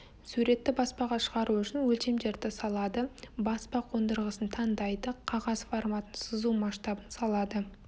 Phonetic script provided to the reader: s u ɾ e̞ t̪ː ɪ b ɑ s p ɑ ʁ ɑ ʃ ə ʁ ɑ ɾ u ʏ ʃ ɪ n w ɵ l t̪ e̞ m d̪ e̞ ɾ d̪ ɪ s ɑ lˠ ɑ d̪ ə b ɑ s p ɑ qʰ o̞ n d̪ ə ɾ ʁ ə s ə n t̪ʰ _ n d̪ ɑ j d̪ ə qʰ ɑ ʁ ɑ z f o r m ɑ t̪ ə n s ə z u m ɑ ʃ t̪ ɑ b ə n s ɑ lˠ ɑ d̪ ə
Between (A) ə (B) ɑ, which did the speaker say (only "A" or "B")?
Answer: B